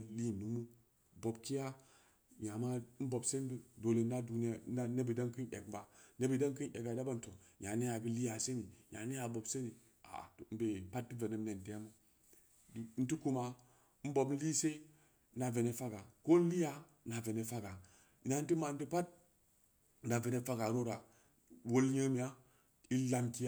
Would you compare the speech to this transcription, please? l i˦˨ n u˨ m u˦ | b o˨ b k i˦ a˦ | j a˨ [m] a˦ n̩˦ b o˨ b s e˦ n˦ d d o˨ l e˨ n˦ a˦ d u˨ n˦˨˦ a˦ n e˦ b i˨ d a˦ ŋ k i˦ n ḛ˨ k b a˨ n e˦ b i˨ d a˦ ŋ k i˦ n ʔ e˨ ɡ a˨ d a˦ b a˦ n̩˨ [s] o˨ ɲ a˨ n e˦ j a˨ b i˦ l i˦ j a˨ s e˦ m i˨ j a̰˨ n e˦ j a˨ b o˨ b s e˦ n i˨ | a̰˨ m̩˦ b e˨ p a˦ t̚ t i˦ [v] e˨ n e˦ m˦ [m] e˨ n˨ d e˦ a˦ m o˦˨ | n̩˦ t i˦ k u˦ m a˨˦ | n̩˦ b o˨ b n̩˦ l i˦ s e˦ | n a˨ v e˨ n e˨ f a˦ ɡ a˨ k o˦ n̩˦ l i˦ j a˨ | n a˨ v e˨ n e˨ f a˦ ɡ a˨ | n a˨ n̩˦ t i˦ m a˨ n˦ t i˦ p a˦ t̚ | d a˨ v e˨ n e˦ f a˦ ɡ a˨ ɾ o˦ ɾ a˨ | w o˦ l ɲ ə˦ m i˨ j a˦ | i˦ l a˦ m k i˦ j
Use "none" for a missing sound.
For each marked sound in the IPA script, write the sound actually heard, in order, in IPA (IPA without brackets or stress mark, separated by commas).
m, t, v, n